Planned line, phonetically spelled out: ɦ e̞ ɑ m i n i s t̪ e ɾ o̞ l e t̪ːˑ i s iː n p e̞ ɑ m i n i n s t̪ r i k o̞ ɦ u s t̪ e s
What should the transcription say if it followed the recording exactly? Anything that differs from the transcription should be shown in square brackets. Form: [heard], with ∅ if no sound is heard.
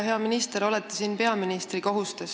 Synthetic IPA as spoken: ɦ e̞ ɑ m i n i s t̪ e ɾ o̞ l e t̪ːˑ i s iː n p e̞ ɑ m i n i [∅] s t̪ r i k o̞ ɦ u s t̪ e s